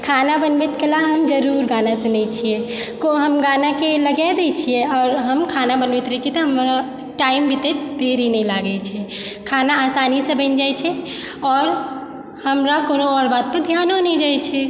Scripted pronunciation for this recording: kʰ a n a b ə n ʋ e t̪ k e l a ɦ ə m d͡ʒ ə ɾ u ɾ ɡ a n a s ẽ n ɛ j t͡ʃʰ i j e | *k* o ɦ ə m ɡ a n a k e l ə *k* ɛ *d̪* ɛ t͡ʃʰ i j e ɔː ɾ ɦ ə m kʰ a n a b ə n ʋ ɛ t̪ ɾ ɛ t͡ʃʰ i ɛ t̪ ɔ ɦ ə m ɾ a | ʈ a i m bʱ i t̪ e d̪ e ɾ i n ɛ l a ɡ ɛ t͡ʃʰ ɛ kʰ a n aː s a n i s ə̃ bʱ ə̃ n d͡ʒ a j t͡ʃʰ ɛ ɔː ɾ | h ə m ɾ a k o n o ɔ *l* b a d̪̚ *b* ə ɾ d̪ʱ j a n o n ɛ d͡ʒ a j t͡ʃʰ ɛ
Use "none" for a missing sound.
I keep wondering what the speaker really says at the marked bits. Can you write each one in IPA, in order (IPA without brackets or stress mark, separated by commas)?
k, ɡ, d̪, ɾ, p